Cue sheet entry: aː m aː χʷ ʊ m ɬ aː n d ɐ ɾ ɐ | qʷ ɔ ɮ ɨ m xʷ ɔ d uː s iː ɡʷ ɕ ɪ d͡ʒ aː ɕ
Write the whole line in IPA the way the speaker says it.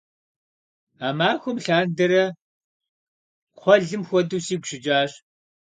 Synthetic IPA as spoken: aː m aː xʷ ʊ m ɬ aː n d ɐ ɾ ɐ | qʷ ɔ ɮ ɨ m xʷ ɔ d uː s iː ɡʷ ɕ ɪ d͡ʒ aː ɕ